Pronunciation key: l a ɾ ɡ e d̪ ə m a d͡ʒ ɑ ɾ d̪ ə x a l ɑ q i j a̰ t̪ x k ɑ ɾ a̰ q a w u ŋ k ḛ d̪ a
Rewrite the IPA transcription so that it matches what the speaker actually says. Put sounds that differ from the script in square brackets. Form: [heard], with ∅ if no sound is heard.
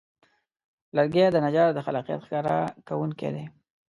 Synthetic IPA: l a ɾ ɡ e d̪ ə [n] a d͡ʒ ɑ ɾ d̪ ə x a l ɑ q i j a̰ t̪ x k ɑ ɾ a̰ [k] a w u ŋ k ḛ d̪ [e]